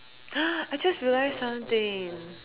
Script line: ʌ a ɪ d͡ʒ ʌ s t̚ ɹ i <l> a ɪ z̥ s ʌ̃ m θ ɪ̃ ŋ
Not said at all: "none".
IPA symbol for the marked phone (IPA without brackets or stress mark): l